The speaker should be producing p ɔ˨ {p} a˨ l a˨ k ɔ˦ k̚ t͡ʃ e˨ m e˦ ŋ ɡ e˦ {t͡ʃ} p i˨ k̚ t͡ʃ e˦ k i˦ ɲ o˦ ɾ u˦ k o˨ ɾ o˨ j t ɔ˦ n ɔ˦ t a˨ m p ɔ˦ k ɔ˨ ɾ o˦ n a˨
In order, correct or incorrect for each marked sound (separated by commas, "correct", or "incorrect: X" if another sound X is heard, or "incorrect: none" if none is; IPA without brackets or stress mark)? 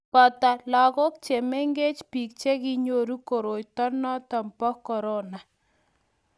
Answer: incorrect: t, correct